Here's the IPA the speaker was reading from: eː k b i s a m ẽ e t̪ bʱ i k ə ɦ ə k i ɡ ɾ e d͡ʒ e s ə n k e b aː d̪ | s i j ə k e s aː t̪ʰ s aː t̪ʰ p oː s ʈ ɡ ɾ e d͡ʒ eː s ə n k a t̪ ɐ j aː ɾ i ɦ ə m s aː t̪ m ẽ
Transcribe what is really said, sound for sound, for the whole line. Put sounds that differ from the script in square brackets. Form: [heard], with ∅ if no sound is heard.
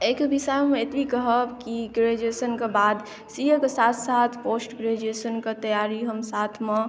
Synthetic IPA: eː k b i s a m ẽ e t̪ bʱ i k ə ɦ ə k i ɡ ɾ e d͡ʒ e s ə n k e b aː d̪ | s i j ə k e s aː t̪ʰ s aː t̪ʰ p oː s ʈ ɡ ɾ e d͡ʒ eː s ə n k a t̪ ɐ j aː ɾ i ɦ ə m s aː [t̪ʰ] m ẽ